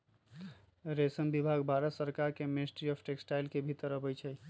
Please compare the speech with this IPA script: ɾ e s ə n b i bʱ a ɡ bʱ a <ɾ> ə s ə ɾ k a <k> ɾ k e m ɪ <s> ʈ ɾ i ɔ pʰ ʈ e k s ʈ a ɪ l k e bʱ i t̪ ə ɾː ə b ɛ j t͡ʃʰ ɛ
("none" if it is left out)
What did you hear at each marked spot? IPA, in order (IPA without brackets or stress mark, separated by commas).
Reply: ɾ, none, s